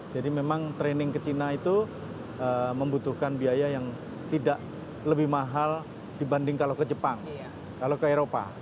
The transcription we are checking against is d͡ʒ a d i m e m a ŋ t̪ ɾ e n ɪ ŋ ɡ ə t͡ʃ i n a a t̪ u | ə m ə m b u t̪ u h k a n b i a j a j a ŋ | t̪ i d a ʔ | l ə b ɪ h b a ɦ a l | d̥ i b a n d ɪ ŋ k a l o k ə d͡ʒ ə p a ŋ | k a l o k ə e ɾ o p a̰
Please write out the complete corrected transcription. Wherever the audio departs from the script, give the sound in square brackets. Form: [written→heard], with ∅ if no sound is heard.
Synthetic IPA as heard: d͡ʒ a d i m e m a ŋ t̪ ɾ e n ɪ ŋ [ɡ→k] ə t͡ʃ i n a [a→i] t̪ u | ə m ə m b u t̪ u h k a n b i a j a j a ŋ | t̪ i d a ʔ | l ə b ɪ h [b→m] a ɦ a l | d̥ i b a n d ɪ ŋ k a l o k ə d͡ʒ ə p a ŋ | k a l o k ə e ɾ o p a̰